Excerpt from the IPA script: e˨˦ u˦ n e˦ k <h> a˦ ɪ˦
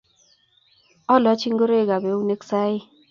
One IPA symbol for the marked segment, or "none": s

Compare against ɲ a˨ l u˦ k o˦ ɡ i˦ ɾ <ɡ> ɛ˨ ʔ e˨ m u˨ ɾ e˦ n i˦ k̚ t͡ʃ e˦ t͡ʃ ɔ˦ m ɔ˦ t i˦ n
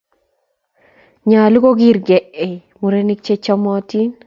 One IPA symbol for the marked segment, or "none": ɡ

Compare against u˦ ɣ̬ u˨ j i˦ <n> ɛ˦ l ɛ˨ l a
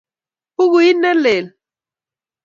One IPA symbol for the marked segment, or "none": n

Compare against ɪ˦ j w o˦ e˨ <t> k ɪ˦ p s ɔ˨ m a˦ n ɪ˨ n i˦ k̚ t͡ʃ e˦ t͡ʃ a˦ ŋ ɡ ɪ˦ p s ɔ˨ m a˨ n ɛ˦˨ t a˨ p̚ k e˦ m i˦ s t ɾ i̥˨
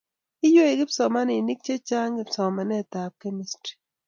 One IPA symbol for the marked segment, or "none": none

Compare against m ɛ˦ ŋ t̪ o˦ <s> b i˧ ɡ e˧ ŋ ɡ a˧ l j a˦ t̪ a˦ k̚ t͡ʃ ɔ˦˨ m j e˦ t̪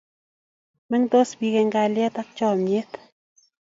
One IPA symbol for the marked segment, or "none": s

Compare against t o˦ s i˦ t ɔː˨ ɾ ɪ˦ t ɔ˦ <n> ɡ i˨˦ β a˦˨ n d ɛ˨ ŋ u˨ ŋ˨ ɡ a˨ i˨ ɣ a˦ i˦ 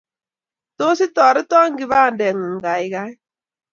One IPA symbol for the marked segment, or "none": ŋ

